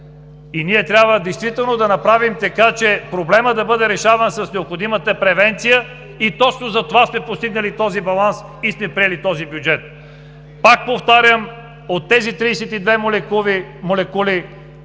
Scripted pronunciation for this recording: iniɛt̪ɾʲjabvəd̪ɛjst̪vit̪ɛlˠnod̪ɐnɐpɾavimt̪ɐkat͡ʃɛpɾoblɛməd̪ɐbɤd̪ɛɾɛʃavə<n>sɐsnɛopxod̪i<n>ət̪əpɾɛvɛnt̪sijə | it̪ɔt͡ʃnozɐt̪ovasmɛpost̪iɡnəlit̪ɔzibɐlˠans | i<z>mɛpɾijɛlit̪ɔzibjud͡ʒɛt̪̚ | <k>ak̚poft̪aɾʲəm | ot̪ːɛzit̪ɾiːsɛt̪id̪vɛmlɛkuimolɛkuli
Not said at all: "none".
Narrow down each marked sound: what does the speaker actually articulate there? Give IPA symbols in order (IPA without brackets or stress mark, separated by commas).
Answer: n, m, s, p